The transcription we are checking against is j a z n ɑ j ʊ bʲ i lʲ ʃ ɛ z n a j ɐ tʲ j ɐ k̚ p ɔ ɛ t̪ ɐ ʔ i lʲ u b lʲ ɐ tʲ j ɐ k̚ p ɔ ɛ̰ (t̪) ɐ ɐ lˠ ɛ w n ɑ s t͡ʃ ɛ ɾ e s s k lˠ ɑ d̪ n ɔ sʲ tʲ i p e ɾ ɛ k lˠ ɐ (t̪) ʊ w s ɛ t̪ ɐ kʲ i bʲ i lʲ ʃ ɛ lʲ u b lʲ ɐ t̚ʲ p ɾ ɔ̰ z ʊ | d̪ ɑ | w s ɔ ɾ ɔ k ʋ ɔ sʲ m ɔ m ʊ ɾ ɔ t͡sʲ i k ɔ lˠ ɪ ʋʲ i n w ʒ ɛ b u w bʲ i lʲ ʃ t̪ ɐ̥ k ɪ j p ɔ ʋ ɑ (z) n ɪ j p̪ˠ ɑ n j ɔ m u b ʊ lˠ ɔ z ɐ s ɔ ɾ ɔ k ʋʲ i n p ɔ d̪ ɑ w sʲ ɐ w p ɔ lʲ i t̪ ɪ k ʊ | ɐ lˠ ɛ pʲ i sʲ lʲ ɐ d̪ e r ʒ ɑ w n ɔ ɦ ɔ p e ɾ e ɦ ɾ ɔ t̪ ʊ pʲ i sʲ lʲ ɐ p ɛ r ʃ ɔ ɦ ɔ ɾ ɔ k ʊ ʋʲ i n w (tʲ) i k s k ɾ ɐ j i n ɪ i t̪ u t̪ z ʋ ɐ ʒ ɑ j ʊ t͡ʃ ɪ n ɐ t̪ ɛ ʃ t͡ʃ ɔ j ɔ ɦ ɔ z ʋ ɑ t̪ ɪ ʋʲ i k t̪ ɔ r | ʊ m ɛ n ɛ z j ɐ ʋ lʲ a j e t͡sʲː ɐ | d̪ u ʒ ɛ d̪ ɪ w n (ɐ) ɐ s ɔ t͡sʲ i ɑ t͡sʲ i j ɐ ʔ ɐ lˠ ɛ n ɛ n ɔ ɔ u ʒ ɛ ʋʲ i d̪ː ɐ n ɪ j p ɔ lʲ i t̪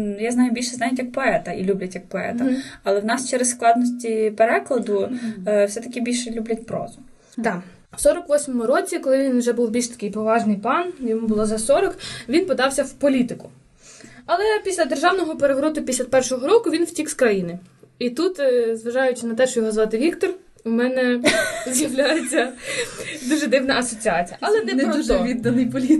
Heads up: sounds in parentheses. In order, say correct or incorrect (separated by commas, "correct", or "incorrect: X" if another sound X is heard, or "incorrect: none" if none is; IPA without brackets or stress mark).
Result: correct, incorrect: d̪, incorrect: ʒ, correct, correct